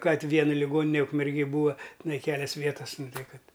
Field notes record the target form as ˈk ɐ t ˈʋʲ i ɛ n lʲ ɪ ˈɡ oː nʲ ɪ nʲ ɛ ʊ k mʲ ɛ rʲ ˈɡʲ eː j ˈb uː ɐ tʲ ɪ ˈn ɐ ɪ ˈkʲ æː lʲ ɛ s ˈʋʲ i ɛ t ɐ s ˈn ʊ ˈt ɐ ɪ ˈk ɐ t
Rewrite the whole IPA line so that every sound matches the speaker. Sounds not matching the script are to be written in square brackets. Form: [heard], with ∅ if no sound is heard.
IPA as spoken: ˈk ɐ t ˈʋʲ i ɛ n lʲ ɪ ˈɡ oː nʲ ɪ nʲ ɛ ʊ k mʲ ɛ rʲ ˈɡʲ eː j ˈb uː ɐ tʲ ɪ ˈn ɐ ɪ ˈkʲ æː lʲ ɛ s ˈʋʲ i ɛ t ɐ s ˈn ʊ ˈt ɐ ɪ ˈk ɐ t